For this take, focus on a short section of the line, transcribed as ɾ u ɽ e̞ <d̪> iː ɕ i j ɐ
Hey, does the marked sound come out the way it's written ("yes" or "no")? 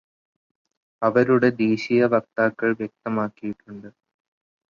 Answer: yes